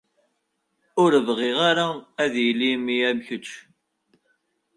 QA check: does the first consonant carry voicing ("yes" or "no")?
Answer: yes